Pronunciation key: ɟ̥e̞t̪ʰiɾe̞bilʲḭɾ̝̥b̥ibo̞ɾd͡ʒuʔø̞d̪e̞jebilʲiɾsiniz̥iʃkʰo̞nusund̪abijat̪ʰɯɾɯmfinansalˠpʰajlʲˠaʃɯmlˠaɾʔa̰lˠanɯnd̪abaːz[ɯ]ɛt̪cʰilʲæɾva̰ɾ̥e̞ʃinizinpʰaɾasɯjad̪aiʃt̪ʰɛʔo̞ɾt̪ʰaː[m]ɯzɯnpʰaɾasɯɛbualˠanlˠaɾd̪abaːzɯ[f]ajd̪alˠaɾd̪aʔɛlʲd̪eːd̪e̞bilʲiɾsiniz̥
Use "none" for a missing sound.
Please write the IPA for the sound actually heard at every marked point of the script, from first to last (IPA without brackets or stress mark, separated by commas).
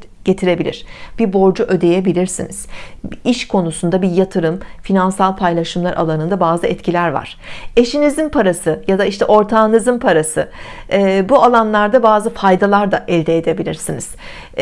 ɯ, n, f